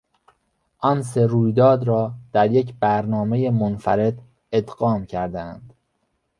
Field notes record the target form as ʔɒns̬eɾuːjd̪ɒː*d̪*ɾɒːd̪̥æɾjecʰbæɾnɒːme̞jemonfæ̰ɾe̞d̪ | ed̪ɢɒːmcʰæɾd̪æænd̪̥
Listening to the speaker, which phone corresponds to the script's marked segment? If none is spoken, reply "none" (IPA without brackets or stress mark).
d̪